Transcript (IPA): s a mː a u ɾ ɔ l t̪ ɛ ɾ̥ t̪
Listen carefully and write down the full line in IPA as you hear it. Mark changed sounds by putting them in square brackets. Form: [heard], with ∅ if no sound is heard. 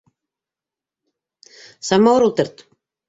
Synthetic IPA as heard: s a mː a [w] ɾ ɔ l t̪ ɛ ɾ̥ t̪